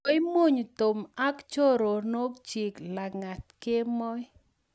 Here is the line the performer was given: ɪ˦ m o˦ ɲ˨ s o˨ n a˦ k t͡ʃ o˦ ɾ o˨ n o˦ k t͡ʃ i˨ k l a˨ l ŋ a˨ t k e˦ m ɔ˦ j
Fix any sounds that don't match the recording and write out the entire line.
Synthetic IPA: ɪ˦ m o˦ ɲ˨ t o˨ m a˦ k t͡ʃ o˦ ɾ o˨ n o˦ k t͡ʃ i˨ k l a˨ ŋ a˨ t k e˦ m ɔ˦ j